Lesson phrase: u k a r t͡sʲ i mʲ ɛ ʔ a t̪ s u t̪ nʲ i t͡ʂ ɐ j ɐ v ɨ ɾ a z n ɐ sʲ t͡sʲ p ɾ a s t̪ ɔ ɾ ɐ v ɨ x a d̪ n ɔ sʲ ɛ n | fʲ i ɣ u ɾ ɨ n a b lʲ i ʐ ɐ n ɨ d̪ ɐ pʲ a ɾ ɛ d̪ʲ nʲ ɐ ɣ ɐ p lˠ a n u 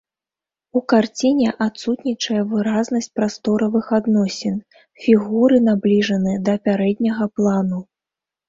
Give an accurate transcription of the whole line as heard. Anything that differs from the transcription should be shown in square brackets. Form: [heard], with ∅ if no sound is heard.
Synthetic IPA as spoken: u k a r t͡sʲ i [nʲ] ɛ ʔ a t̪ s u t̪ nʲ i t͡ʂ ɐ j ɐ v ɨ ɾ a z n ɐ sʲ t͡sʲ p ɾ a s t̪ ɔ ɾ ɐ v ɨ x a d̪ n ɔ sʲ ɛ n | fʲ i ɣ u ɾ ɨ n a b lʲ i ʐ ɐ n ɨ d̪ ɐ pʲ a ɾ ɛ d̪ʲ nʲ ɐ ɣ ɐ p lˠ a n u